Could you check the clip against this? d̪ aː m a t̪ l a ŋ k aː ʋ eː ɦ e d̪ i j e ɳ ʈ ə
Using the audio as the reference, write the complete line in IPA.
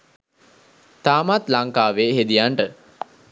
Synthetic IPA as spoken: t̪ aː m a t̪ l a ŋ k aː ʋ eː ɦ e d̪ i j a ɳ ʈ ə